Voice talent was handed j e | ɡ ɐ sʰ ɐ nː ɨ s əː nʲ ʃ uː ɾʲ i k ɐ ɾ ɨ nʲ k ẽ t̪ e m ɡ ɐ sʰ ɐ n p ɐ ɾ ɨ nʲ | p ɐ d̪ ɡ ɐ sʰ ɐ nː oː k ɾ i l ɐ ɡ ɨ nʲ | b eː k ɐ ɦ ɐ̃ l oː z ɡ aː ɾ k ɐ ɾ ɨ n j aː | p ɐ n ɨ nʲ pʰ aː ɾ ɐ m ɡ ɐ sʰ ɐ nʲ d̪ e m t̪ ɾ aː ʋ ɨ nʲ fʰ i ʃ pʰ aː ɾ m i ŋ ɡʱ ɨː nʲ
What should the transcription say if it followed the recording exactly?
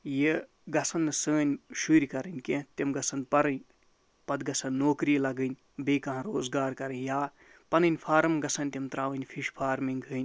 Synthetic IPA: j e | ɡ ɐ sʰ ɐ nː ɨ s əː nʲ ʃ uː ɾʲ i k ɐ ɾ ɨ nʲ k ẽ t̪ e m ɡ ɐ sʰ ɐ n p ɐ ɾ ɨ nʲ | p ɐ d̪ ɡ ɐ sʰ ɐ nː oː k ɾ i l ɐ ɡ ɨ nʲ | b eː k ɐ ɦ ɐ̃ ɾ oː z ɡ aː ɾ k ɐ ɾ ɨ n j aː | p ɐ n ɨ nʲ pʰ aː ɾ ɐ m ɡ ɐ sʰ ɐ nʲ t̪ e m t̪ ɾ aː ʋ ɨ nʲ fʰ i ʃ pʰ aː ɾ m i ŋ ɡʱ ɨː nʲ

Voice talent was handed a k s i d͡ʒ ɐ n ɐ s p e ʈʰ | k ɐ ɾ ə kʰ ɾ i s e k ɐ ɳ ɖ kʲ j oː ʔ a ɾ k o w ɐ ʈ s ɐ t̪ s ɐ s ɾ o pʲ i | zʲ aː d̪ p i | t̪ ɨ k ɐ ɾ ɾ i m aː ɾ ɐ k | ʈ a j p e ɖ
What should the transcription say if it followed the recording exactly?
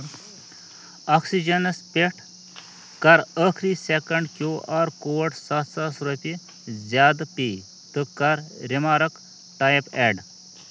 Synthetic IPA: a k s i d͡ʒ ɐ n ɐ s p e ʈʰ | k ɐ ɾ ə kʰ ɾ i s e k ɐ ɳ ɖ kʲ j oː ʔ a ɾ k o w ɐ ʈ s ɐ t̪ s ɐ s ɾ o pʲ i | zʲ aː d̪ p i | t̪ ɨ k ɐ ɾ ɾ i m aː ɾ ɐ k | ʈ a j p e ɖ

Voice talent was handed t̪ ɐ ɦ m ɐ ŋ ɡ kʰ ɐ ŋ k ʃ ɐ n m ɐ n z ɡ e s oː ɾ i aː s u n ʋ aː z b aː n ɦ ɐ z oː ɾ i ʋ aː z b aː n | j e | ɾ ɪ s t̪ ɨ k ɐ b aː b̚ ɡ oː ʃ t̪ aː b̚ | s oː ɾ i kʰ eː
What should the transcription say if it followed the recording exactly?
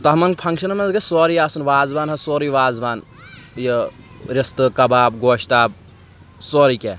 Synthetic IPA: t̪ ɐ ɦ m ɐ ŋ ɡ pʰ ɐ ŋ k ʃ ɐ n m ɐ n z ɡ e s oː ɾ i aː s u n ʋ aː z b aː n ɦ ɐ s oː ɾ i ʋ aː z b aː n | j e | ɾ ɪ s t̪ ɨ k ɐ b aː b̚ ɡ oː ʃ t̪ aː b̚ | s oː ɾ i k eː

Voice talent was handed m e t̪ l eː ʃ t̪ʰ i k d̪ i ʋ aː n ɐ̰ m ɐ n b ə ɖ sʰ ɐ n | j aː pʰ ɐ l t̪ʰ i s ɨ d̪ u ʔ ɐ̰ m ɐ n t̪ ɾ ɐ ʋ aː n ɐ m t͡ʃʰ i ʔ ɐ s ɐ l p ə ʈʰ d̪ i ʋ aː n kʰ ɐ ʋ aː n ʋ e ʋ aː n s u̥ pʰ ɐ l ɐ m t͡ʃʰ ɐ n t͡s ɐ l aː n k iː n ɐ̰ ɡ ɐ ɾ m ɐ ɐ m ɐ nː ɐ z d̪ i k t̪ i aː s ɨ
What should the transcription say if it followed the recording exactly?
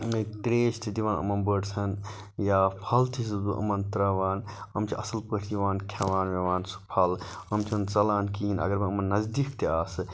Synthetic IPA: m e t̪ ɾ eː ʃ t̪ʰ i d̪ i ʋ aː n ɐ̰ m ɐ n b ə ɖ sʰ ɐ n | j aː pʰ ɐ l t̪ʰ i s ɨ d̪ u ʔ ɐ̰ m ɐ n t̪ ɾ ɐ ʋ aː n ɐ m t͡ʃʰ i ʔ ɐ s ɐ l p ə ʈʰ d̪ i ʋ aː n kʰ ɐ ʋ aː n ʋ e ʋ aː n s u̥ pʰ ɐ l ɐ m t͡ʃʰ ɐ n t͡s ɐ l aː n k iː n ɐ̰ ɡ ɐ ɾ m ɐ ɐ m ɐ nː ɐ z d̪ i k t̪ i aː s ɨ

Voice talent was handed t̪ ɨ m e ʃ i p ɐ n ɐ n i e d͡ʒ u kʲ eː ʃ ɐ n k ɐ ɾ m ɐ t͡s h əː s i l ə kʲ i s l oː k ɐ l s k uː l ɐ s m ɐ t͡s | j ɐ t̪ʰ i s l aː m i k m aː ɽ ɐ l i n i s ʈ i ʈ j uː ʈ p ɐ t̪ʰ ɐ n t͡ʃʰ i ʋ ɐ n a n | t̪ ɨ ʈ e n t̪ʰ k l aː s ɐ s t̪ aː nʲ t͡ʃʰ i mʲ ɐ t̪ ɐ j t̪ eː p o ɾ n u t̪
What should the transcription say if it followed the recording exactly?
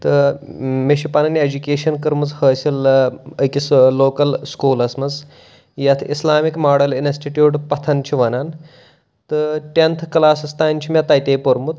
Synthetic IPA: t̪ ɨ m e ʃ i p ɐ n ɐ n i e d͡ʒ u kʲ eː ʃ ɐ n k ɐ ɾ m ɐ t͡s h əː s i l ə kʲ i s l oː k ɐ l s k uː l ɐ s m ɐ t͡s | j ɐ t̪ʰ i s l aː m i k m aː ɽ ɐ l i n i s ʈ i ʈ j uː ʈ p ɐ t̪ʰ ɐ n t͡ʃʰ i ʋ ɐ n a n | t̪ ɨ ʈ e n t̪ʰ k l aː s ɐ s t̪ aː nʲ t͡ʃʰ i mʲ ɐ t̪ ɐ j t̪ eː p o ɾ m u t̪

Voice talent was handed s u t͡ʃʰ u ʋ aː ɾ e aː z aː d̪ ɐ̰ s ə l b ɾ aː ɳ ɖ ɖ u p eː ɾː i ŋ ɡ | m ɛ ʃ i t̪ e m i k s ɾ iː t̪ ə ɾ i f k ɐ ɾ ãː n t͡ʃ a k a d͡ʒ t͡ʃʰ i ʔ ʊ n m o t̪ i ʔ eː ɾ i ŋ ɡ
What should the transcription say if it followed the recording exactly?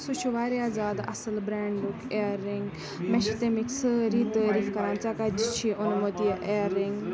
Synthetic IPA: s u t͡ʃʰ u ʋ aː ɾ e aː z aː d̪ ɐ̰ s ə l b ɾ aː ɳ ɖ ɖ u k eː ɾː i ŋ ɡ | m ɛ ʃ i t̪ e m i k s ɾ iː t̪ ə ɾ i f k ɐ ɾ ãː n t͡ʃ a k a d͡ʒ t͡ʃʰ i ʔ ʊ n m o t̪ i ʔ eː ɾ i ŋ ɡ

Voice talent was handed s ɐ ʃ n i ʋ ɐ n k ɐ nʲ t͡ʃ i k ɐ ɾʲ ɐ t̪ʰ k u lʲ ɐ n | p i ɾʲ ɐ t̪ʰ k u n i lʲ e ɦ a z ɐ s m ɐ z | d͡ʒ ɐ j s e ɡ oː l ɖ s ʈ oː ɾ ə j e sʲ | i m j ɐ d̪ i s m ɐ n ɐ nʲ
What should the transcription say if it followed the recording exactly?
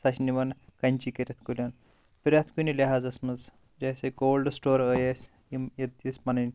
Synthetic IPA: s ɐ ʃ n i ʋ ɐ n k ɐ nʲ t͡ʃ i k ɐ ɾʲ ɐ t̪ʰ k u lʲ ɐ n | p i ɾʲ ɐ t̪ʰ k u n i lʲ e ɦ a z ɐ s m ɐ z | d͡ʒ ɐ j s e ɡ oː l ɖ s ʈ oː ɾ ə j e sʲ | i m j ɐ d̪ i s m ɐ n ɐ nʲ

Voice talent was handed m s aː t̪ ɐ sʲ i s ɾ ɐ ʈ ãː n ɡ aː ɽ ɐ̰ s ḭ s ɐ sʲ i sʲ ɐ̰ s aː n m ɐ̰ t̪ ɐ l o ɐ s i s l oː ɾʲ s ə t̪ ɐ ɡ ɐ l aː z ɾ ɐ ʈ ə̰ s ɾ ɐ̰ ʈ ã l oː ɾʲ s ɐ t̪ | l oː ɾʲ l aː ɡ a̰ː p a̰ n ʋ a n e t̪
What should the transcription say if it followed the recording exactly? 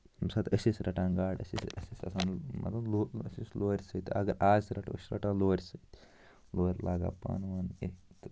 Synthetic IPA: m s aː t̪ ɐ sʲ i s ɾ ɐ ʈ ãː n ɡ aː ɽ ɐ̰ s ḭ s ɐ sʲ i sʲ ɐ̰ s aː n m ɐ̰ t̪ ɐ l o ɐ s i s l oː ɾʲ s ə t̪ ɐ ɡ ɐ ɾ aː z ɾ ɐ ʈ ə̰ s ɾ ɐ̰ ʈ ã l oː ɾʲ s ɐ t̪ | l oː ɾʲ l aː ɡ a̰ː p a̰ n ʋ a n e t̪

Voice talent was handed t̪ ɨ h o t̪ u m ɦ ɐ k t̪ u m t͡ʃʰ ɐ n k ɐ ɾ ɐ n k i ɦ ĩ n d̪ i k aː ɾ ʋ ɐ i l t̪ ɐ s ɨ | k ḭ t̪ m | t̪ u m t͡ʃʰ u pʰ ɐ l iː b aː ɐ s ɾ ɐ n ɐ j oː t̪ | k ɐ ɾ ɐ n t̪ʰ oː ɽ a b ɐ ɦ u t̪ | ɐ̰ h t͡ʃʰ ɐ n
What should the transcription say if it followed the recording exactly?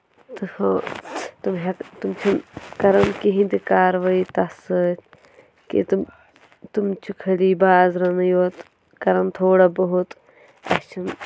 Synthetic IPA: t̪ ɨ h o t̪ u m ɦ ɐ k t̪ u m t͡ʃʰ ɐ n k ɐ ɾ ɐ n k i ɦ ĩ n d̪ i k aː ɾ ʋ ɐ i t̪ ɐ s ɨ | k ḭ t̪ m | t̪ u m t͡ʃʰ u kʰ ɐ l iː b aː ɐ z ɾ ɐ n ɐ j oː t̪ | k ɐ ɾ ɐ n t̪ʰ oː ɽ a b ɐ ɦ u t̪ | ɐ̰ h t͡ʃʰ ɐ n

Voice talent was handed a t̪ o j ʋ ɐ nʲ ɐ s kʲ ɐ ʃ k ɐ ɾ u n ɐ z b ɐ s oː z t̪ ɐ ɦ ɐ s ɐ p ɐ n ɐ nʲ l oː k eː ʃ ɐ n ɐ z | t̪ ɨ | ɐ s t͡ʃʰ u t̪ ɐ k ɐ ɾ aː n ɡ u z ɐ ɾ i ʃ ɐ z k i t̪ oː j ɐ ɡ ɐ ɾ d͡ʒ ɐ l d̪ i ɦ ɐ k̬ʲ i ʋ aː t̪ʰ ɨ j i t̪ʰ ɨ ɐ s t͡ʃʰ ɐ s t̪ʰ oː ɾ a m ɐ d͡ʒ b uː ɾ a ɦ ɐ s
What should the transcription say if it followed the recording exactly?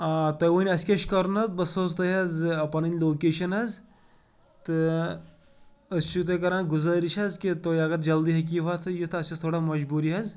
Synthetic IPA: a t̪ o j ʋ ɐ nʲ ɐ s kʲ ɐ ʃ k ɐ ɾ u n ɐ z b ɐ s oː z t̪ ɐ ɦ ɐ z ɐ p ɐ n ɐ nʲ l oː k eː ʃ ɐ n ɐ z | t̪ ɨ | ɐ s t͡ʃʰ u t̪ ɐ k ɐ ɾ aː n ɡ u z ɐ ɾ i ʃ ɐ z k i t̪ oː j ɐ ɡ ɐ ɾ d͡ʒ ɐ l d̪ i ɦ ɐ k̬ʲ i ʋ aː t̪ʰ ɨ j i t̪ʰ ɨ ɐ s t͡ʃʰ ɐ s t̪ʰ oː ɽ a m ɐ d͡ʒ b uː ɾ i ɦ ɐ z

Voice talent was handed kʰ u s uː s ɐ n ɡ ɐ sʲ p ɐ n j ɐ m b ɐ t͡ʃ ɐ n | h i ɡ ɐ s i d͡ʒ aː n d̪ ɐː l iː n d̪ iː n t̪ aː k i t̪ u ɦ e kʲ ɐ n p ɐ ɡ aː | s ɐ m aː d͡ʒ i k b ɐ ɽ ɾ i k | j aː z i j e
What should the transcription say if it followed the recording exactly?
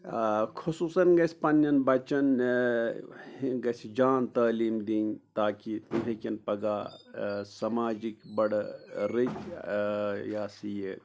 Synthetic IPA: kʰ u s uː s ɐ n ɡ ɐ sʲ p ɐ n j ɐ n b ɐ t͡ʃ ɐ n | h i ɡ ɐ s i d͡ʒ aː n t̪ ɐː l iː m d̪ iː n t̪ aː k i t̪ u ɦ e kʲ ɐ n p ɐ ɡ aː | s ɐ m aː d͡ʒ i k b ɐ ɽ ɾ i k | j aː s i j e

